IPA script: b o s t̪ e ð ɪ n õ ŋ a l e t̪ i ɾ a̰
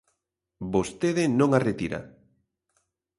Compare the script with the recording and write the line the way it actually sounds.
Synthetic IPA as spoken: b o s t̪ e ð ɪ n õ ŋ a r e t̪ i ɾ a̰